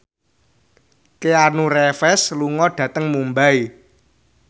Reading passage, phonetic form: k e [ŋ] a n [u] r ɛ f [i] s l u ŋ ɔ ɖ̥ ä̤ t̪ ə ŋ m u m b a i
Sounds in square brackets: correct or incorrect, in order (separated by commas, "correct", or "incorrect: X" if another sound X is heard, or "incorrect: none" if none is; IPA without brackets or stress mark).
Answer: incorrect: none, correct, incorrect: ɛ